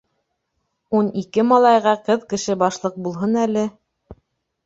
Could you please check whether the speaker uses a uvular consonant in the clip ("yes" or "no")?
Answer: yes